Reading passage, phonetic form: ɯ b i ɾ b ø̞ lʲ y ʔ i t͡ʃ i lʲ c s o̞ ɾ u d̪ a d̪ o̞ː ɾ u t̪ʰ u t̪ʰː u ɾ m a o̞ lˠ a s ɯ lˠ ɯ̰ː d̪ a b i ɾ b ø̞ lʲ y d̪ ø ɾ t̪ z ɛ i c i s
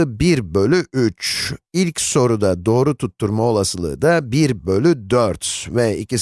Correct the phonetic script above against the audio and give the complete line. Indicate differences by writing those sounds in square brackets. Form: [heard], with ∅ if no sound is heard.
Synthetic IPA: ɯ b i ɾ b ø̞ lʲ y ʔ [y] t͡ʃ i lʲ c s o̞ ɾ u d̪ a d̪ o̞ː ɾ u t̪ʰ u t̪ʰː u ɾ m a o̞ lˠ a s ɯ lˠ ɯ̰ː d̪ a b i ɾ b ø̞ lʲ y d̪ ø ɾ t̪ [v] ɛ i c i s